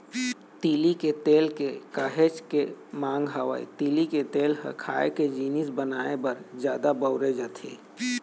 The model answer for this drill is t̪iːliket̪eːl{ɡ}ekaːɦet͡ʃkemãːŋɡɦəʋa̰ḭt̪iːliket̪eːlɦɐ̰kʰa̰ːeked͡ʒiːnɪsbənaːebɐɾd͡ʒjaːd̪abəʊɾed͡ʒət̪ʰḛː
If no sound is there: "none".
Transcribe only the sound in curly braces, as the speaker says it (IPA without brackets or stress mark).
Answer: k